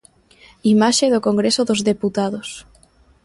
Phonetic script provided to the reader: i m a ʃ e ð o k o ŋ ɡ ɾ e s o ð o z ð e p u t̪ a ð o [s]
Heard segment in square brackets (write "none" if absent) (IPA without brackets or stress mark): s